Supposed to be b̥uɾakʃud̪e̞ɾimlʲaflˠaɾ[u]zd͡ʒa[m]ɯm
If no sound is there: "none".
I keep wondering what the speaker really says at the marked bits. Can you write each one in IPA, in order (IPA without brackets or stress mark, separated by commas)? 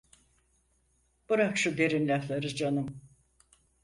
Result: ɯ, n